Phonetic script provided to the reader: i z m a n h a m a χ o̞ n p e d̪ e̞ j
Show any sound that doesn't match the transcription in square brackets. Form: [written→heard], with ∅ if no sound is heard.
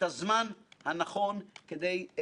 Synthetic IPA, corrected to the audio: [i→a] z m a n h a [m→n] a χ o̞ n [p→k] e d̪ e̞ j